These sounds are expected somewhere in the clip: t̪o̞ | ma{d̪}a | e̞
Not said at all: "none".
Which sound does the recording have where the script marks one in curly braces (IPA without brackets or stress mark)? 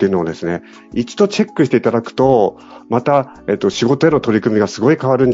t̪